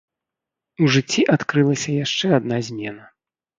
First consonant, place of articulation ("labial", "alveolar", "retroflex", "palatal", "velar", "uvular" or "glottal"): retroflex